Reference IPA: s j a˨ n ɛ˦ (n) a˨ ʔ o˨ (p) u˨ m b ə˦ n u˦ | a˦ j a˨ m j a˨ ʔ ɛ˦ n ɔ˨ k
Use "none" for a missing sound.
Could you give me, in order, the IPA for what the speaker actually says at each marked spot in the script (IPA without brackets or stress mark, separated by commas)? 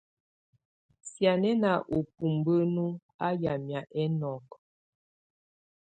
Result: n, p